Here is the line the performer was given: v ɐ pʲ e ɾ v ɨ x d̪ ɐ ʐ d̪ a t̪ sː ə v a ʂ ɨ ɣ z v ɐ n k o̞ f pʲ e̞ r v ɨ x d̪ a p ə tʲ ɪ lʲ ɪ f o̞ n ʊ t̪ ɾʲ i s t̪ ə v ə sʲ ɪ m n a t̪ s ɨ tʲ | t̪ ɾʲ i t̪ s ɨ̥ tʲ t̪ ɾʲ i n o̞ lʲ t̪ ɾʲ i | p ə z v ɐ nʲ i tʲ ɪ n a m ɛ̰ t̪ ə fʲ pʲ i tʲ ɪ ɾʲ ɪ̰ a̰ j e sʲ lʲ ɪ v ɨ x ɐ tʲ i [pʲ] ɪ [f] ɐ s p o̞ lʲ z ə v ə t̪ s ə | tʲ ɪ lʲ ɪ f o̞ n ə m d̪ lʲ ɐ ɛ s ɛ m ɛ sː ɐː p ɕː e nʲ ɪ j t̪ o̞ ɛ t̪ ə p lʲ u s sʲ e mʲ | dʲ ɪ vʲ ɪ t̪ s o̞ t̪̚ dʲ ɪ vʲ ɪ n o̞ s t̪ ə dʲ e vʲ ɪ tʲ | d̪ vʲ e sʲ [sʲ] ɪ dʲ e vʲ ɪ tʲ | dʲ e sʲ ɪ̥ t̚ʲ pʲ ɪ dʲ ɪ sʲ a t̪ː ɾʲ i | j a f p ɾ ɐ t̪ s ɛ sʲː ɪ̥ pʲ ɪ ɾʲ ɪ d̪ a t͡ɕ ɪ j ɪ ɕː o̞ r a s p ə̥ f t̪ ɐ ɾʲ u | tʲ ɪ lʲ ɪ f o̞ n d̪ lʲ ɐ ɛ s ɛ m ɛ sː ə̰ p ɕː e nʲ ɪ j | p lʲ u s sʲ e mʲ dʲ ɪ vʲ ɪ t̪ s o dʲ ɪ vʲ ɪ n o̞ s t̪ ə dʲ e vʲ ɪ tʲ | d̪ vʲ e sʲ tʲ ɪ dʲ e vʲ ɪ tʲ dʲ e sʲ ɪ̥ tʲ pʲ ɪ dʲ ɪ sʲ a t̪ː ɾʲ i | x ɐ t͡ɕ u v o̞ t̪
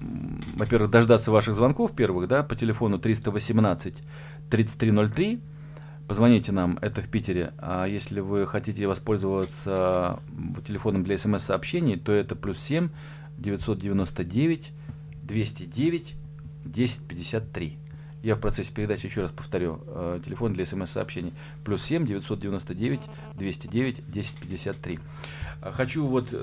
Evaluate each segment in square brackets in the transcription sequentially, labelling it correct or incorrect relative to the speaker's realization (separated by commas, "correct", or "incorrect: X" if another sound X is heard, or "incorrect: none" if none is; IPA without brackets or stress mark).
incorrect: tʲ, incorrect: v, incorrect: tʲ